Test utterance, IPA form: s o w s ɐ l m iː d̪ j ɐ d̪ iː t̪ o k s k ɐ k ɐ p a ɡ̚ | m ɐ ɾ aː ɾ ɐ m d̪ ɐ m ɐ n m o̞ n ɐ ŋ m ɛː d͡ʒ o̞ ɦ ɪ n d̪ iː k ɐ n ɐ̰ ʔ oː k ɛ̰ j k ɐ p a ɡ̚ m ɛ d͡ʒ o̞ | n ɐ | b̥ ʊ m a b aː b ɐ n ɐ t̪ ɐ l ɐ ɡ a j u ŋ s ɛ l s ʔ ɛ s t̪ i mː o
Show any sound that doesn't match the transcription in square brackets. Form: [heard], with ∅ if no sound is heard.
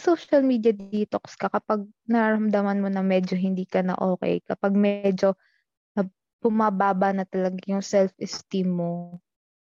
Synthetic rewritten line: s o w [ʃ] ɐ l m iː d̪ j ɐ d̪ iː t̪ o k s k ɐ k ɐ p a ɡ̚ | [n] ɐ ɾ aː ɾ ɐ m d̪ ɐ m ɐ n m o̞ n ɐ ŋ m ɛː d͡ʒ o̞ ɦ ɪ n d̪ iː k ɐ n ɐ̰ ʔ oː k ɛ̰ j k ɐ p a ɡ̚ m ɛ d͡ʒ o̞ | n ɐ | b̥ ʊ m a b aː b ɐ n ɐ t̪ ɐ l ɐ ɡ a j [ʊ] ŋ s ɛ l [f] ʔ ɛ s t̪ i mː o